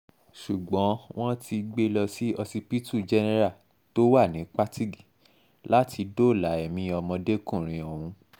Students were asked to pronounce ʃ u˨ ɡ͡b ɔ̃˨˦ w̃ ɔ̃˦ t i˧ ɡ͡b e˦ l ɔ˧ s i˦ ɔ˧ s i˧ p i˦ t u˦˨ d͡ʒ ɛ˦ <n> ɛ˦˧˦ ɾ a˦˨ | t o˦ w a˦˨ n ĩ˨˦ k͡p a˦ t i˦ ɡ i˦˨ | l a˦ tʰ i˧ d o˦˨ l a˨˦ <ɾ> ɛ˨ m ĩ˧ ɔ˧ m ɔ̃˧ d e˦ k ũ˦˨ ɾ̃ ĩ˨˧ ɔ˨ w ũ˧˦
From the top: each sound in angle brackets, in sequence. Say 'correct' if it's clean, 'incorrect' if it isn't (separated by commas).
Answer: correct, incorrect